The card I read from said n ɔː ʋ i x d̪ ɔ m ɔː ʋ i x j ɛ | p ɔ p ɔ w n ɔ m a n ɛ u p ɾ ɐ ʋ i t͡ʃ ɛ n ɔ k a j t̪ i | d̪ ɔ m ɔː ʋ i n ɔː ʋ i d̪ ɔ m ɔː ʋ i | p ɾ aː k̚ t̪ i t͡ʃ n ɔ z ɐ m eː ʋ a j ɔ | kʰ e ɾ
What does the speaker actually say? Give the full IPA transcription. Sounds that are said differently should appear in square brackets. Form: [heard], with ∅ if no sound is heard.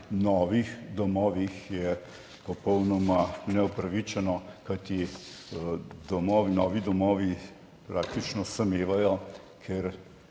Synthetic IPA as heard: n ɔː ʋ i x d̪ ɔ m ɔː ʋ i x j ɛ | p ɔ p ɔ w n ɔ m a n ɛ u p ɾ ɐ ʋ i t͡ʃ ɛ n ɔ k a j t̪ i | d̪ ɔ m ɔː ʋ i n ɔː ʋ i d̪ ɔ m ɔː ʋ i | p ɾ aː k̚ t̪ i t͡ʃ n ɔ [s] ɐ m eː ʋ a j ɔ | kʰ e ɾ

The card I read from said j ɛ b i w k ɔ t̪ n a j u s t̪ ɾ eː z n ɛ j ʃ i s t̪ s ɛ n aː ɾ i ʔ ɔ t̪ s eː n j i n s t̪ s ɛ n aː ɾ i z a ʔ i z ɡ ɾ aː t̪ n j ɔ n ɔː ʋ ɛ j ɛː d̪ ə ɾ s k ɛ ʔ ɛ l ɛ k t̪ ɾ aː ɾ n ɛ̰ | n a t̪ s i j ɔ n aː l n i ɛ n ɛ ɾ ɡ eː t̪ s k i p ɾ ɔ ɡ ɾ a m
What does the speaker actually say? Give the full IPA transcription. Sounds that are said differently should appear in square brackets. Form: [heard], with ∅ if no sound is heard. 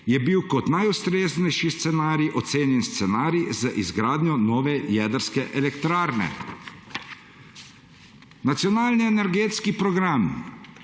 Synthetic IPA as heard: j ɛ b i w k ɔ t̪ n a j u s t̪ ɾ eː z n ɛ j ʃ i s t̪ s ɛ n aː ɾ i ʔ ɔ t̪ s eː n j [ɛ] n s t̪ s ɛ n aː ɾ i z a ʔ i z ɡ ɾ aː [d̪] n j ɔ n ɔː ʋ ɛ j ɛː d̪ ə ɾ s k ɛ ʔ ɛ l ɛ k t̪ ɾ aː ɾ n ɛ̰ | n a t̪ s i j ɔ n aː l n i ɛ n ɛ ɾ ɡ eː t̪ s k i p ɾ ɔ ɡ ɾ a m

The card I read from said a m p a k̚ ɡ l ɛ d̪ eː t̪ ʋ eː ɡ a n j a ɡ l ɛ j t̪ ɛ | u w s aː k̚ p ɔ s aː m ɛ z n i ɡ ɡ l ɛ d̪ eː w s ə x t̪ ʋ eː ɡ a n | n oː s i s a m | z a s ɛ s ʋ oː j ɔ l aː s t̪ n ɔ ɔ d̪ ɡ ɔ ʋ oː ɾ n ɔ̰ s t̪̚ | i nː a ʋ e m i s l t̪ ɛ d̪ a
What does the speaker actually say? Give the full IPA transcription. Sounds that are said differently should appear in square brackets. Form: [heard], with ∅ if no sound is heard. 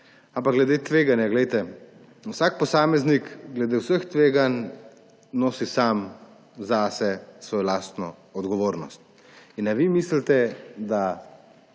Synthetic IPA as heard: a m p a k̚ ɡ l ɛ d̪ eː t̪ ʋ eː ɡ a n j a ɡ l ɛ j t̪ ɛ | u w s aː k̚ p ɔ s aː m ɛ z n i [k] ɡ l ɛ d̪ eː w s ə x t̪ ʋ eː ɡ a n | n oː s i s a m | z a s ɛ s ʋ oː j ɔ l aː s t̪ n ɔ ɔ d̪ ɡ ɔ ʋ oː ɾ n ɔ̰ s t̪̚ | i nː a ʋ [i] m i s l t̪ ɛ d̪ a

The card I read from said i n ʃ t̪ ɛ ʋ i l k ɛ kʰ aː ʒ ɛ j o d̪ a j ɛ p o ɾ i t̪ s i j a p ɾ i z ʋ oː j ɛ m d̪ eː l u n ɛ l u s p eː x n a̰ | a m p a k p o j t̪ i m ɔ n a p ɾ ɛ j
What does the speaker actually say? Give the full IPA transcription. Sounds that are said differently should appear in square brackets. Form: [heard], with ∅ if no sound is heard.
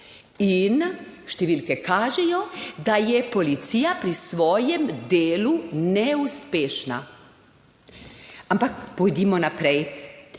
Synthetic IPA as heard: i n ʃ t̪ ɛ ʋ i l k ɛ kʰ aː ʒ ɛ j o d̪ a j ɛ p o [l] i t̪ s i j a p ɾ i [s] ʋ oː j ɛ m d̪ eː l u n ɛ [∅] u s p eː [ʃ] n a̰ | a m p a k p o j [d̪] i m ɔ n a p ɾ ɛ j

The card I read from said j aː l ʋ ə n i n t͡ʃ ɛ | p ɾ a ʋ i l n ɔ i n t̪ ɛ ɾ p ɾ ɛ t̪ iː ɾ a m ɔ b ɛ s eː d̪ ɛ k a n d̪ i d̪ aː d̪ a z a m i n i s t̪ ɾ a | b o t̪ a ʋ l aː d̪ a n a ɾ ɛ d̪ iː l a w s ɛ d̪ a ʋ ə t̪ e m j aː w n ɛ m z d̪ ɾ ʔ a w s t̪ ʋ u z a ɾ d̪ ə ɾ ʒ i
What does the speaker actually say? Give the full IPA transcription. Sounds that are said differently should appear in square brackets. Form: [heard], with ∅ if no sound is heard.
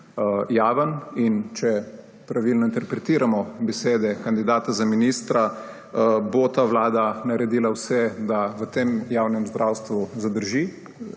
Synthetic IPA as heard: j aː [∅] ʋ ə n i n t͡ʃ ɛ | p ɾ a ʋ i l n ɔ i n t̪ ɛ ɾ p ɾ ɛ t̪ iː ɾ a m ɔ b ɛ s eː d̪ ɛ k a n d̪ i d̪ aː [t̪] a z a m i n i s t̪ ɾ a | b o t̪ a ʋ l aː d̪ a n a ɾ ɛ d̪ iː l a w s ɛ d̪ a ʋ ə t̪ e m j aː w n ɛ m z d̪ ɾ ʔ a w s t̪ ʋ u z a [∅] d̪ ə ɾ ʒ i

